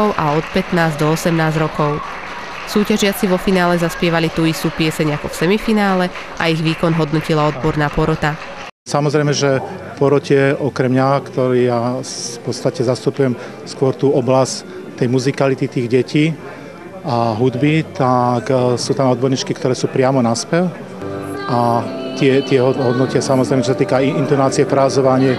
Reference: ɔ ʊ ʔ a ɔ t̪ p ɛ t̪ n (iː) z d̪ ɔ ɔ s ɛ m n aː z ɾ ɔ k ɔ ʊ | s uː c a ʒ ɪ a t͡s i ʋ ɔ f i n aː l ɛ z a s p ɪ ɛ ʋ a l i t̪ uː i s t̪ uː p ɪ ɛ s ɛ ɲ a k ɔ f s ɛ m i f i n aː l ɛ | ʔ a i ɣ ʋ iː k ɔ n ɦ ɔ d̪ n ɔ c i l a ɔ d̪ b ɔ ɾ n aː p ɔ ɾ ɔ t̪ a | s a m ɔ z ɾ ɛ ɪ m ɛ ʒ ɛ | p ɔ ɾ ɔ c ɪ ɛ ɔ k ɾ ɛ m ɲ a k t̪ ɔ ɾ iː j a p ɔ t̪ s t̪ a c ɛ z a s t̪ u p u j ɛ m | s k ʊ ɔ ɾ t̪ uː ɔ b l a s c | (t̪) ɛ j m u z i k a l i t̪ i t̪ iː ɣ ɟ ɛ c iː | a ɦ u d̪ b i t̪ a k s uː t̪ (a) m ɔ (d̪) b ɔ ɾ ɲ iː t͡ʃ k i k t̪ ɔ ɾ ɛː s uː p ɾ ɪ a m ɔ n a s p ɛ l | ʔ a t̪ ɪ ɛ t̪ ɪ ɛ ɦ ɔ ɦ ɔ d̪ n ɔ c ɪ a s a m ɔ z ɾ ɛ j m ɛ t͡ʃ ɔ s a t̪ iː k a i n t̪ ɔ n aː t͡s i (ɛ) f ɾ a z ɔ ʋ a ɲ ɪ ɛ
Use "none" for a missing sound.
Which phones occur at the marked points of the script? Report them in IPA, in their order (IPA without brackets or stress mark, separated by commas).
aː, t̪, a, d̪, ɛ